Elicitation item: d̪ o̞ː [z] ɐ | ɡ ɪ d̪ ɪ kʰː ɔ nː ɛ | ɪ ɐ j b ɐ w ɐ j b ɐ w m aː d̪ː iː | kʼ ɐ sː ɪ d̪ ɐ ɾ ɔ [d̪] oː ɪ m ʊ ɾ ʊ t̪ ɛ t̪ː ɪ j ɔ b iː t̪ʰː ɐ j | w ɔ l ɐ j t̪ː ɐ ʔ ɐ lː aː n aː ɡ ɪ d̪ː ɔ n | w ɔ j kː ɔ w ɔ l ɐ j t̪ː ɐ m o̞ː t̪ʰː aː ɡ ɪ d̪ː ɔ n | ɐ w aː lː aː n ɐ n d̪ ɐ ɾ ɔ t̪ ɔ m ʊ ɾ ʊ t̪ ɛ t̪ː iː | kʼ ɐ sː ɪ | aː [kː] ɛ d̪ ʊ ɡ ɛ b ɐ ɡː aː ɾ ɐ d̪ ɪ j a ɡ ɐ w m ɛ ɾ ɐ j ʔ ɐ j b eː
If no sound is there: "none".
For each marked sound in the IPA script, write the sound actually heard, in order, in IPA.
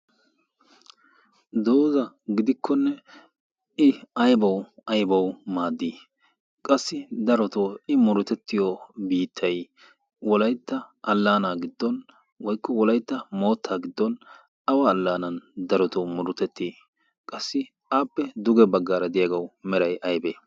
z, t̪, pː

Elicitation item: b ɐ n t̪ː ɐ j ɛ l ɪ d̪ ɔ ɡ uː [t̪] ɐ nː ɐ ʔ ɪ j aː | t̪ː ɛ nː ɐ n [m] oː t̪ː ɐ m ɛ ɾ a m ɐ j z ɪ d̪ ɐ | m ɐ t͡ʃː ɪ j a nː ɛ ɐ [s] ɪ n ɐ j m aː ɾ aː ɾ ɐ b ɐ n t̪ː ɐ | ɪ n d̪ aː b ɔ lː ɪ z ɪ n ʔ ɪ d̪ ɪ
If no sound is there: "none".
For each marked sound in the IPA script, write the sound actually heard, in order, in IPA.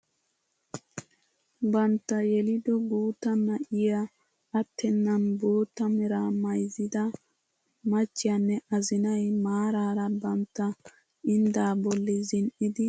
t̪, b, z

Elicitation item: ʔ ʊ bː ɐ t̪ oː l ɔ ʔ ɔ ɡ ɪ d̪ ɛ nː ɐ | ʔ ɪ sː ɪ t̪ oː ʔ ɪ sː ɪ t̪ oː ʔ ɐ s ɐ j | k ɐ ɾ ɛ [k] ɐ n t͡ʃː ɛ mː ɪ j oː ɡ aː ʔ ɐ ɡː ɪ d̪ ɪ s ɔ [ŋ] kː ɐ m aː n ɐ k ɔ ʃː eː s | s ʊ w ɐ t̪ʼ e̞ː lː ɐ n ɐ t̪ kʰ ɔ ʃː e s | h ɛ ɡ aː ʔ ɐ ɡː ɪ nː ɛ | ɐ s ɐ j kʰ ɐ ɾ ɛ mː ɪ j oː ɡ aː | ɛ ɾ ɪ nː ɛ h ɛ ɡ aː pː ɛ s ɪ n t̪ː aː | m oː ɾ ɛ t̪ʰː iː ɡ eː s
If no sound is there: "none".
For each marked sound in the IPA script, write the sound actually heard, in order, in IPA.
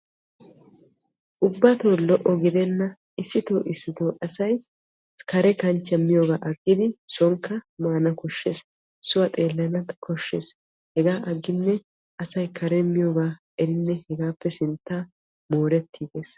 k, ŋ

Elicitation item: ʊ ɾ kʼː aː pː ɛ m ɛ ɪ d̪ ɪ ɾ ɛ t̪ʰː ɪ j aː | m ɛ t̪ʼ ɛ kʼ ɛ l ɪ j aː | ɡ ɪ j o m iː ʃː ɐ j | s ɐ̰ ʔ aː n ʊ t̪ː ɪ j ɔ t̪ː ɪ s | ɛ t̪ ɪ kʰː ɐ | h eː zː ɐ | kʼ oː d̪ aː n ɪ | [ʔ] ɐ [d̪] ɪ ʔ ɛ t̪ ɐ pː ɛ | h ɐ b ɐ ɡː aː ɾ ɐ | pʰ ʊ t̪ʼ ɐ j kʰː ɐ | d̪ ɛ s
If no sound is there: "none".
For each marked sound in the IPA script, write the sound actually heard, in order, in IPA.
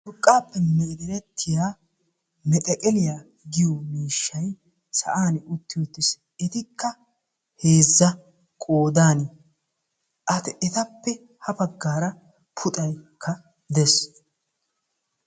ʔ, t̪

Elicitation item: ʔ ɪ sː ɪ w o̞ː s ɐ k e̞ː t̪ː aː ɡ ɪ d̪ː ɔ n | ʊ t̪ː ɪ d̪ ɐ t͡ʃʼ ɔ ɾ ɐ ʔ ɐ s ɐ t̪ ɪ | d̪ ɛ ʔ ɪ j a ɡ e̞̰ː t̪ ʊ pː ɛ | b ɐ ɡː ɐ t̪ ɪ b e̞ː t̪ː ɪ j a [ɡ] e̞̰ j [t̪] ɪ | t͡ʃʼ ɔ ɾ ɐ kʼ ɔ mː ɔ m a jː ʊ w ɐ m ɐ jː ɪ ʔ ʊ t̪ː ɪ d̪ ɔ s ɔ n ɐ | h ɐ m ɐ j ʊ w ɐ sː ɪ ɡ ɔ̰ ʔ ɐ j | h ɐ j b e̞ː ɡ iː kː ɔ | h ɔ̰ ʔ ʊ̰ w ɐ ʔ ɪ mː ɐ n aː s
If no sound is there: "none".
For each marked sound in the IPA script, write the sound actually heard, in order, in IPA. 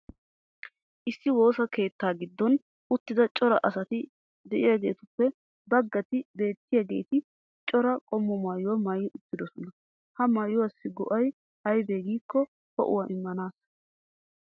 ɡ, t̪

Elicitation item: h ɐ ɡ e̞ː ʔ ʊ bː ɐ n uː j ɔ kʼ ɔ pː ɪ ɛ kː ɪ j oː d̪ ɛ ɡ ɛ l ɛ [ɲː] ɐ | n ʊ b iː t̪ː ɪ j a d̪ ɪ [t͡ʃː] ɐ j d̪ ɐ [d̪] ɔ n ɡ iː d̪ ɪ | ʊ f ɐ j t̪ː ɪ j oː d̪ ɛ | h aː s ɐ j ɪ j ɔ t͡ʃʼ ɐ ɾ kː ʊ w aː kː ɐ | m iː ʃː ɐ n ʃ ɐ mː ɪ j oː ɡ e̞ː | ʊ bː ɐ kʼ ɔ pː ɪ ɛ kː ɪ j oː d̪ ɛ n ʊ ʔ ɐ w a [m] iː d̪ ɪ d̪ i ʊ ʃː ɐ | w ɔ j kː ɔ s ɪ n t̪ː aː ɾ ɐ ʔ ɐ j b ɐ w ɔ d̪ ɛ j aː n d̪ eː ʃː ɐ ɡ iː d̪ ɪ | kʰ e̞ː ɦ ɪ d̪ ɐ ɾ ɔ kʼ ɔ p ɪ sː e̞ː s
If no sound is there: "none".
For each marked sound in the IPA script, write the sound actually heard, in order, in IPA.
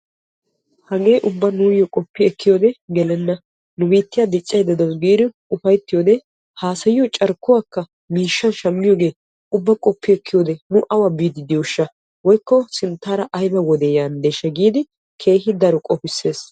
nː, t͡ʃʼː, d̪, b

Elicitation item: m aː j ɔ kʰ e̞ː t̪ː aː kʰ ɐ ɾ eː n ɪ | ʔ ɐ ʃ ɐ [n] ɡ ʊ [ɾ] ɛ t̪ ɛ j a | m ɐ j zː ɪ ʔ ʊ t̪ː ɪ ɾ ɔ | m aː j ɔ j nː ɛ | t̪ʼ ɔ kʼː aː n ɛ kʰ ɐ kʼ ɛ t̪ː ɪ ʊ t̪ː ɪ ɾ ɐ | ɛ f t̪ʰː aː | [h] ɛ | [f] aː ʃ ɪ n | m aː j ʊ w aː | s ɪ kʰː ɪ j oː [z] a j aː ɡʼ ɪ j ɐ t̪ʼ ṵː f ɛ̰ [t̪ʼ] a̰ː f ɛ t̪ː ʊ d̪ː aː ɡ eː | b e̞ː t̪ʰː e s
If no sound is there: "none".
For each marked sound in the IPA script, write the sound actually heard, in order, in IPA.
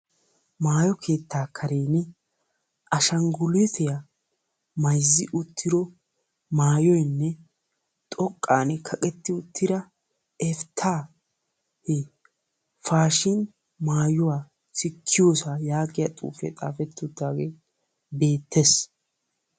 ŋ, l, h, f, s, t̪ʼ

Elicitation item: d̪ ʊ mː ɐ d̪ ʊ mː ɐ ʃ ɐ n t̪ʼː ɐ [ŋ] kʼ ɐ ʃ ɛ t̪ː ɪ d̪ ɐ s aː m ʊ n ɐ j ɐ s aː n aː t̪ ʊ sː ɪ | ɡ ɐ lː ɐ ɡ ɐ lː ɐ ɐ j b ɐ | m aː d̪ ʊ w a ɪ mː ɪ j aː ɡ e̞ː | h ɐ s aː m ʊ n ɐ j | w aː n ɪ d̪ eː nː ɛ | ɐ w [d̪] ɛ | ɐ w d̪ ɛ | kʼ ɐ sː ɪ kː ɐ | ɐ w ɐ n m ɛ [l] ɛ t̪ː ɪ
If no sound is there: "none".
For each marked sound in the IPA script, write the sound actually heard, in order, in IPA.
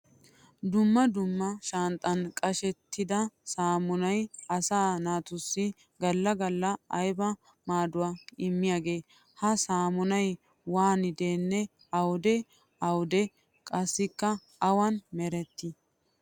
n, d̪, ɾ

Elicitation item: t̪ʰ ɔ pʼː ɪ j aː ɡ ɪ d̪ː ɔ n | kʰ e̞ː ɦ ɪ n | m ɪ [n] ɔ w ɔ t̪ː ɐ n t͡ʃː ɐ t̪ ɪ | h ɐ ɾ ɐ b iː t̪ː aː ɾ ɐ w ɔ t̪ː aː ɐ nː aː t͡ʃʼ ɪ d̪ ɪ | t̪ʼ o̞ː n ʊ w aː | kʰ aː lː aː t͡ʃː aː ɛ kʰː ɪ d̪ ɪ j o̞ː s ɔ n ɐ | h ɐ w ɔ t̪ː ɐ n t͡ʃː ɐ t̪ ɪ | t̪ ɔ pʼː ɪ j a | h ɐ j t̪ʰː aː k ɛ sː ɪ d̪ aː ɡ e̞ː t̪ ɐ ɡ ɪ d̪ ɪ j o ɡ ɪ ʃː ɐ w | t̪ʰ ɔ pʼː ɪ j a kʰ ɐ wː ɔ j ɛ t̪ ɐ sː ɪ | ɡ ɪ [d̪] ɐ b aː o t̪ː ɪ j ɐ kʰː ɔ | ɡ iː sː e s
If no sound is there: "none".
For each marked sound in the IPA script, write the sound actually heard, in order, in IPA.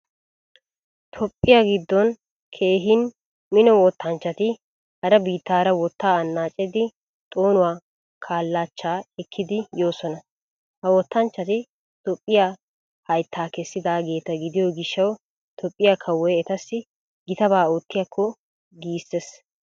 n, t̪

